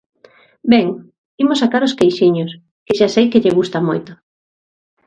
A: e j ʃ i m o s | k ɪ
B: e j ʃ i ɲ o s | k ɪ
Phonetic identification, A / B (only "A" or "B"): B